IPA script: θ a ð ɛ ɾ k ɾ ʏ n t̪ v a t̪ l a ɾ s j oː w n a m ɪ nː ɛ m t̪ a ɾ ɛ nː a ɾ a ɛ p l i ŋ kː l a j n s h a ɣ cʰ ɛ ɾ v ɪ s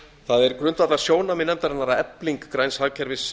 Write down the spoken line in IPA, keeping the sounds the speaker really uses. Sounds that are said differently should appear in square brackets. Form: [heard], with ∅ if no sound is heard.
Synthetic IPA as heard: θ a ð ɛ ɾ k ɾ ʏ n t̪ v a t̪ l a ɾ s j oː w n a m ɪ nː ɛ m t̪ a ɾ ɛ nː a ɾ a ɛ p l i ŋ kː [ɾ] a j n s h a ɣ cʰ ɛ ɾ v ɪ s